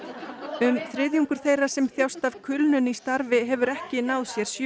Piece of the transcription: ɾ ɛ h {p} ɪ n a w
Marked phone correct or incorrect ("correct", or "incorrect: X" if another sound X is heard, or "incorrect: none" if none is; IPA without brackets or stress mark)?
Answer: incorrect: c